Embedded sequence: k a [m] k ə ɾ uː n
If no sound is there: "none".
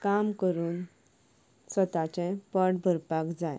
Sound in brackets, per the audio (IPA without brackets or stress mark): m